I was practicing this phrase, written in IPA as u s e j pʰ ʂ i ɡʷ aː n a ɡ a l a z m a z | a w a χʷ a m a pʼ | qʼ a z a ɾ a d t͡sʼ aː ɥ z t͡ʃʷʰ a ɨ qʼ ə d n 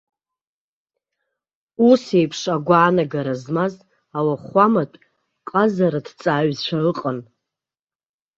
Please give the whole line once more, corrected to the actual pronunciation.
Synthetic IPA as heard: u s e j pʰ ʂ a ɡʷ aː n a ɡ a ɾ a z m a z | a w a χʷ a m a tʼ | qʼ a z a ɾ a d t͡sʼ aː ɥ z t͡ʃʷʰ a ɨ qʼ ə n